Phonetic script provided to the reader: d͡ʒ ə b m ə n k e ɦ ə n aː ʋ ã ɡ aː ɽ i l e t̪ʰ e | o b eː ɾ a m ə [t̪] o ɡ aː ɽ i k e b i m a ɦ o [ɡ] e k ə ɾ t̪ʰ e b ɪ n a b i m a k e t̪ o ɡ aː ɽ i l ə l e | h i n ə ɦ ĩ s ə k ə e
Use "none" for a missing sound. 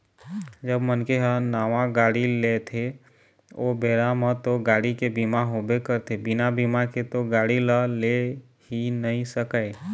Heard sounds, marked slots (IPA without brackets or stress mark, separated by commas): t̪, b